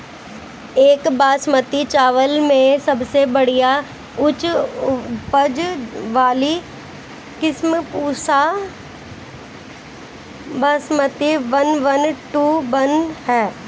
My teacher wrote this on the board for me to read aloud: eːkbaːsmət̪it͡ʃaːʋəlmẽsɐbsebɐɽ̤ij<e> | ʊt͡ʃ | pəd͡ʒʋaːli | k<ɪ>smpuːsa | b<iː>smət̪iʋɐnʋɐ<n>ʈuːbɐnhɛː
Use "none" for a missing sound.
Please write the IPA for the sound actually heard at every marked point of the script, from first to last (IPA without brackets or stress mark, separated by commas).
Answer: a, ɪ, aː, n